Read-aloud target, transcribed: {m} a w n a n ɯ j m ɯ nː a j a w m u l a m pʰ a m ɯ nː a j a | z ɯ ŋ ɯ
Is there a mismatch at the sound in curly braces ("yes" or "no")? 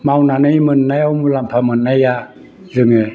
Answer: no